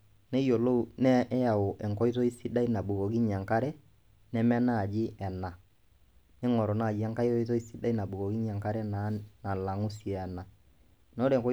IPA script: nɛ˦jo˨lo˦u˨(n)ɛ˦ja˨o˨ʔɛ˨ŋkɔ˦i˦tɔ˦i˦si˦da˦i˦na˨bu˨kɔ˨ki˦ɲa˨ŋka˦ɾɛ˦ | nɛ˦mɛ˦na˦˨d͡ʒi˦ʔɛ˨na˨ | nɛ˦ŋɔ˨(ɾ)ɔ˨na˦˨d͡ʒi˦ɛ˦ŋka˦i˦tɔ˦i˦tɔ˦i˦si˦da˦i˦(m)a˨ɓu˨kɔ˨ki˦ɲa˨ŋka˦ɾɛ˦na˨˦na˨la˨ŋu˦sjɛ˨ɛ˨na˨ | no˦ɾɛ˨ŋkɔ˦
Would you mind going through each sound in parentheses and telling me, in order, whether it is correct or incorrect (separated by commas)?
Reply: correct, correct, incorrect